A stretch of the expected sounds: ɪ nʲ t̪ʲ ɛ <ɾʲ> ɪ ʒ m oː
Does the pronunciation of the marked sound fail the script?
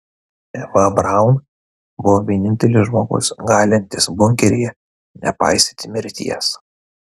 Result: yes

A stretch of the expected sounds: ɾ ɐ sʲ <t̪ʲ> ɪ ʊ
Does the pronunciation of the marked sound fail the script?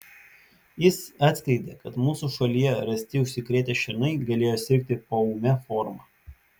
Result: no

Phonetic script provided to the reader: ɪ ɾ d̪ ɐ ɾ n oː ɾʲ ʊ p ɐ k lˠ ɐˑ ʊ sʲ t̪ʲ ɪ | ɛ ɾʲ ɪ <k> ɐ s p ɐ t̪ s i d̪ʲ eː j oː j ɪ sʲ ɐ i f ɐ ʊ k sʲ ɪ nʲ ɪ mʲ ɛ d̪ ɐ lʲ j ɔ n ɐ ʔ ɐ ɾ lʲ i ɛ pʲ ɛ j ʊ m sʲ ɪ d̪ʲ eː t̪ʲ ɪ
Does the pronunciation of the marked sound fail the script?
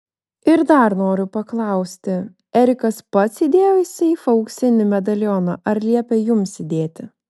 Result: no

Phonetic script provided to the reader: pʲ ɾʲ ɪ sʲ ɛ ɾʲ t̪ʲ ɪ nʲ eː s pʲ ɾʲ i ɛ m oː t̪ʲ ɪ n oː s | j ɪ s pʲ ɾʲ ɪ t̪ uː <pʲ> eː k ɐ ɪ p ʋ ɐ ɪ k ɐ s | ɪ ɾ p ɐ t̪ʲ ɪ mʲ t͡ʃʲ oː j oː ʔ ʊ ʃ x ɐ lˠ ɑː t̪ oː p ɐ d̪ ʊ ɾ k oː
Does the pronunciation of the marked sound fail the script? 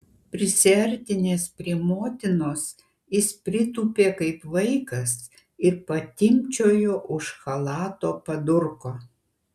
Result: no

